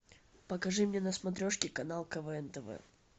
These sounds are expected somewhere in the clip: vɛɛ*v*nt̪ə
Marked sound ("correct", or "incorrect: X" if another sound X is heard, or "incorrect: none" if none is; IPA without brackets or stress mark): incorrect: none